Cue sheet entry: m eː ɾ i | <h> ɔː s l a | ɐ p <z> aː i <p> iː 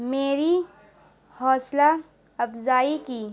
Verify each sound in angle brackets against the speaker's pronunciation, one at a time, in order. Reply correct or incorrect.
correct, correct, incorrect: k

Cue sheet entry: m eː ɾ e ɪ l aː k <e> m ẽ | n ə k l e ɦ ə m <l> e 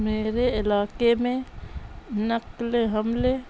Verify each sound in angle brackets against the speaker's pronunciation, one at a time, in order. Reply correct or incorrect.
correct, correct

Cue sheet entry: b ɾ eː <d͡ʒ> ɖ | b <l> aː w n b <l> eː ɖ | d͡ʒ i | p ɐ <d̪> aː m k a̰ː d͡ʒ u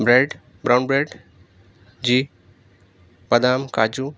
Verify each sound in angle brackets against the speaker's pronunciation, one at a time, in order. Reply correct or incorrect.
incorrect: none, incorrect: ɾ, incorrect: ɾ, correct

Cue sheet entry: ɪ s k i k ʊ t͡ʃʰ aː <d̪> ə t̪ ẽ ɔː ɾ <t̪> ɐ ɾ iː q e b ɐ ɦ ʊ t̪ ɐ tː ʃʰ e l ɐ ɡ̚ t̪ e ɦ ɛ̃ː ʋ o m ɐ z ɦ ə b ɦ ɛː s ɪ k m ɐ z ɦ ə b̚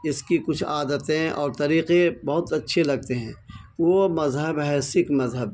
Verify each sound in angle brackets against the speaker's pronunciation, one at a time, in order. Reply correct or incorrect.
correct, correct

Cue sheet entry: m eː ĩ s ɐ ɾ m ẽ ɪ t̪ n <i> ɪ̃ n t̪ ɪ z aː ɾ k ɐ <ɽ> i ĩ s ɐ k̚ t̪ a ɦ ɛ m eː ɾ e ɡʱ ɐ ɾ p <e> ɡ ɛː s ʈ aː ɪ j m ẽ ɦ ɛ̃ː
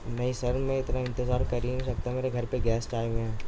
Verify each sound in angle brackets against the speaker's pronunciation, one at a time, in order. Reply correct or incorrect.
incorrect: a, incorrect: ɾ, correct

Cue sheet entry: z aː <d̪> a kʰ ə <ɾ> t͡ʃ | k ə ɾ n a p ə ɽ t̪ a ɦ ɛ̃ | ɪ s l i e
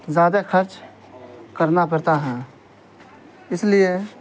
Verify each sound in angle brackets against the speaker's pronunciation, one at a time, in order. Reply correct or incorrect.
correct, correct

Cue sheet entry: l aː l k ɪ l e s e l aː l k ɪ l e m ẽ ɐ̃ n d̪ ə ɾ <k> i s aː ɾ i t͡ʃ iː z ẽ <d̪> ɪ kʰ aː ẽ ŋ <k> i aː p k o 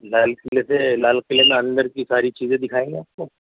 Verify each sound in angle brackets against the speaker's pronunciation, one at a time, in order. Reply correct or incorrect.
correct, correct, incorrect: ɡ

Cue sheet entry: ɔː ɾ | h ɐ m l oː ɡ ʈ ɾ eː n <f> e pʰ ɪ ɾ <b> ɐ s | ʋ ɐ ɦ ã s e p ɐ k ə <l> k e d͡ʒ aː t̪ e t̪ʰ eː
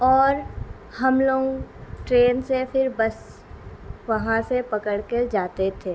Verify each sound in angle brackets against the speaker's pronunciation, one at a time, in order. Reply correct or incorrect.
incorrect: s, correct, incorrect: ɽ

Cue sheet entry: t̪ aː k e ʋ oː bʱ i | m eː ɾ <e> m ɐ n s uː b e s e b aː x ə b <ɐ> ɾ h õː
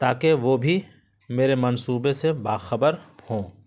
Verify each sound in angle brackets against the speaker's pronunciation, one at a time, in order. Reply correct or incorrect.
correct, incorrect: ə

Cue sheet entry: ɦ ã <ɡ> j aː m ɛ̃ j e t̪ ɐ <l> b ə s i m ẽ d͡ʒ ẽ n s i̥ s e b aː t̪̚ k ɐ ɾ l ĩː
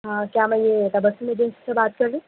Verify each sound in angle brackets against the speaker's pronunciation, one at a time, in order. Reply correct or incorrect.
incorrect: k, incorrect: none

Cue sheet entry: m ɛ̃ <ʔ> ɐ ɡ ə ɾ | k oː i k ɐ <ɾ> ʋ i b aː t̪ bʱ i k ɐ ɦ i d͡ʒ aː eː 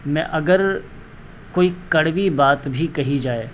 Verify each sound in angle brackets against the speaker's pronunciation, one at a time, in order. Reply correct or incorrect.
correct, incorrect: ɽ

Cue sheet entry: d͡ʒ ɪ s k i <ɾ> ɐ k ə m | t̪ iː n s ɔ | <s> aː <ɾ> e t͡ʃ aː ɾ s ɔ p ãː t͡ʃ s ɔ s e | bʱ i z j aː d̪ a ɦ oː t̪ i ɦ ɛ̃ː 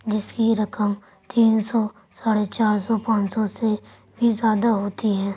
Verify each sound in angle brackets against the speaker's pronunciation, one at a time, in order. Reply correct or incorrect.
correct, correct, incorrect: ɽ

